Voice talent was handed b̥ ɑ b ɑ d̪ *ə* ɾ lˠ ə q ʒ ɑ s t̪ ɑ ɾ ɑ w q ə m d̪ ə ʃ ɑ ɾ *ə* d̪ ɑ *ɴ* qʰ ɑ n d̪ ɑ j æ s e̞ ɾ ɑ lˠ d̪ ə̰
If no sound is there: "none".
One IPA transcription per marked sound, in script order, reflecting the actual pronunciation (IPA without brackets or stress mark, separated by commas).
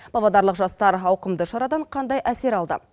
ɑ, ɑ, ɴ